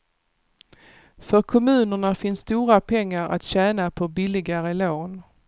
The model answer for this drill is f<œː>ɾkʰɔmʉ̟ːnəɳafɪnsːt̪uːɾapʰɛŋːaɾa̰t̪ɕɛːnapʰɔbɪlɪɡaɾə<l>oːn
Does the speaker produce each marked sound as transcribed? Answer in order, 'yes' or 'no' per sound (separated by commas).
no, yes